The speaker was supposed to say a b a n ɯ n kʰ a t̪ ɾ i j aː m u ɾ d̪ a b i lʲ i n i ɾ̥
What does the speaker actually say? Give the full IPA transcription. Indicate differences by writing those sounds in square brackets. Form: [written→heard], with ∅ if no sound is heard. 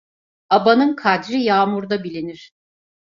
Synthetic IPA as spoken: a b a n ɯ n kʰ a [t̪→d̪] ɾ i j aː m u ɾ d̪ a b i lʲ i n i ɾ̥